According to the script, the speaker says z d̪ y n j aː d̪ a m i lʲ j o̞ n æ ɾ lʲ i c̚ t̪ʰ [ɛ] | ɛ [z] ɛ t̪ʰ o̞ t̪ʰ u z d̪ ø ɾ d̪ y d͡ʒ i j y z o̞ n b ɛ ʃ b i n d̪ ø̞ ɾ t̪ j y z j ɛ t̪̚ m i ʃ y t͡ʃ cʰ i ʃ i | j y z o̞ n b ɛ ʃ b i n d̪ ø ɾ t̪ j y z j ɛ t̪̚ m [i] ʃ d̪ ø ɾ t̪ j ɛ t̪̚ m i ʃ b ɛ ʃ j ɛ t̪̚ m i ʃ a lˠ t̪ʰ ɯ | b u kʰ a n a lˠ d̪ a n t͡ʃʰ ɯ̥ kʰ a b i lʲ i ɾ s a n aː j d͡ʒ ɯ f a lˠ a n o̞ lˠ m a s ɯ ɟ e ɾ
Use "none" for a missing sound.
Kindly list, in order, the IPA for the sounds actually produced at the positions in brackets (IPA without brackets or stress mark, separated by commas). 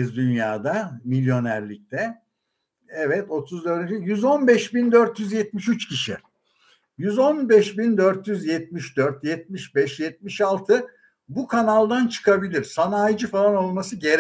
ɛ, v, i